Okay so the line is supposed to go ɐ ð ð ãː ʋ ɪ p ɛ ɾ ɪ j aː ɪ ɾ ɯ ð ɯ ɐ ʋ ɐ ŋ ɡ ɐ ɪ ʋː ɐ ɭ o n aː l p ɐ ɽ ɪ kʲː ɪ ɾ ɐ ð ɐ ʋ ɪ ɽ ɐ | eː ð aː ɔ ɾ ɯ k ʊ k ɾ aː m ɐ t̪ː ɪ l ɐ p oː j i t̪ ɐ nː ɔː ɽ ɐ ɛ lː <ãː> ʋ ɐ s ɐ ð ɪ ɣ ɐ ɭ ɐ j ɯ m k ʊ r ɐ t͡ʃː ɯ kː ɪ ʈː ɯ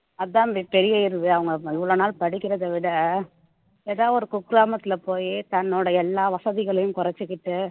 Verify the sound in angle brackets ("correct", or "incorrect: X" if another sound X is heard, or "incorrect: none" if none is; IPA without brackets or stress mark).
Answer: incorrect: aː